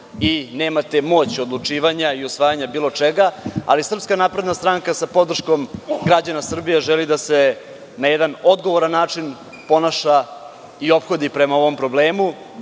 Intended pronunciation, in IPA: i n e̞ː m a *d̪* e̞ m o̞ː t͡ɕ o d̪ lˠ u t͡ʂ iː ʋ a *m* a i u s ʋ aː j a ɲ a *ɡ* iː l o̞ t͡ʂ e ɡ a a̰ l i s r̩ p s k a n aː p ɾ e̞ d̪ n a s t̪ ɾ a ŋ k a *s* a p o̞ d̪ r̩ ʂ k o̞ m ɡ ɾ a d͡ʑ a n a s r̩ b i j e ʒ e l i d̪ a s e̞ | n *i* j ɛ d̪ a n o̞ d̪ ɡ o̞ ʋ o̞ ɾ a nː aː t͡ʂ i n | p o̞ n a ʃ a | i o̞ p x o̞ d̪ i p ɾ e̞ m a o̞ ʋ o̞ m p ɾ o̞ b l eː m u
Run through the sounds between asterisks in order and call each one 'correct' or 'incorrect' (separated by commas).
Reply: incorrect, incorrect, incorrect, correct, incorrect